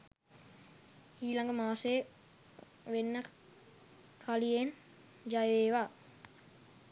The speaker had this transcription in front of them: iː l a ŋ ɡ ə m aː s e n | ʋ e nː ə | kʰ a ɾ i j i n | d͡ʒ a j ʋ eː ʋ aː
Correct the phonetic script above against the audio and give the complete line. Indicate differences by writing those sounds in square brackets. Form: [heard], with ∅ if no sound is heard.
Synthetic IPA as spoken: iː l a ŋ ɡ ə m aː s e [∅] | ʋ e nː ə | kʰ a [l] i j [e] n | d͡ʒ a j ʋ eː ʋ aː